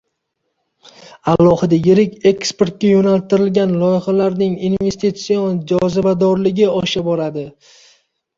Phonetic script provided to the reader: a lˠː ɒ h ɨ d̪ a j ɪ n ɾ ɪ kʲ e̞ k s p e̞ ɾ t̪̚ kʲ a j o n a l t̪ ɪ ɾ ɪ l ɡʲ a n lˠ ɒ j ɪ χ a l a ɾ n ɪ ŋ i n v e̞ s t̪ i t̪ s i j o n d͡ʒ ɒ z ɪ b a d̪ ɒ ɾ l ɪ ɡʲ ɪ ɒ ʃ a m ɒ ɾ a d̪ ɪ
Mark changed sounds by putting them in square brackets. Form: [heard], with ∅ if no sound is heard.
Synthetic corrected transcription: a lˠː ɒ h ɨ d̪ a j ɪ [∅] ɾ ɪ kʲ e̞ k s p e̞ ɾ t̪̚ kʲ a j o n a l t̪ ɪ ɾ ɪ l ɡʲ a n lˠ ɒ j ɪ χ a l a ɾ n ɪ ŋ i n v e̞ s t̪ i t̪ s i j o n d͡ʒ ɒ z ɪ b a d̪ ɒ ɾ l ɪ ɡʲ ɪ ɒ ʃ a [b] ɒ ɾ a d̪ ɪ